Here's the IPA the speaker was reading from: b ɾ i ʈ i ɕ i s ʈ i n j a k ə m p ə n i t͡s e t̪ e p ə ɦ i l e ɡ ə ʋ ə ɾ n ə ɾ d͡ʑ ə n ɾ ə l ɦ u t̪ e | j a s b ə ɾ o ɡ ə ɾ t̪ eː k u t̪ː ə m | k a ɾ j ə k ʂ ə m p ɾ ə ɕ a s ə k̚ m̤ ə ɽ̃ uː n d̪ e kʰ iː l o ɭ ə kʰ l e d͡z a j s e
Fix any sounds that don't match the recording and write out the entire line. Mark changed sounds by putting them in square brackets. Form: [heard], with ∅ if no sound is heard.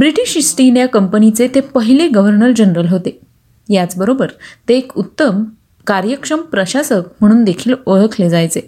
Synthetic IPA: b ɾ i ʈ i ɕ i s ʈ i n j a k ə m p ə n i t͡s e t̪ e p ə ɦ i l e ɡ ə ʋ ə ɾ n ə ɾ d͡ʑ ə n ɾ ə l ɦ [o] t̪ e | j a [t͡s] b ə ɾ o [b] ə ɾ t̪ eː k u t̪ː ə m | k a ɾ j ə k ʂ ə m p ɾ ə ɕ a s ə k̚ m̤ ə ɽ̃ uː n d̪ e kʰ iː l o ɭ ə kʰ l e d͡z a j [t͡s] e